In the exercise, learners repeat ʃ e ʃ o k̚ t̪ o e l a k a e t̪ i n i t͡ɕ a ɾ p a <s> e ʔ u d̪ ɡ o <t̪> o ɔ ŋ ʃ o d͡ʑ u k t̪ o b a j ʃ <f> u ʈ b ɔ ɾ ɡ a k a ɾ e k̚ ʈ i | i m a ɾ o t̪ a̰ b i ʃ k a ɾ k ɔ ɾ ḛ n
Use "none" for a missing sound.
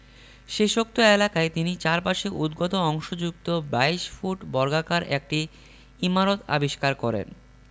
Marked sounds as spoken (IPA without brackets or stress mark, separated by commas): ʃ, t̪, f